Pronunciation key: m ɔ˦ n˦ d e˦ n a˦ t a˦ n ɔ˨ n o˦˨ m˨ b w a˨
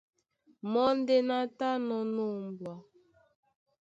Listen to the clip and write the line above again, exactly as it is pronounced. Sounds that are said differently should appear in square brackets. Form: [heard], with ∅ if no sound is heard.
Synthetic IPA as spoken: m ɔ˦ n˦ d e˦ n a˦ t a˦ n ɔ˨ n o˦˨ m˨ b w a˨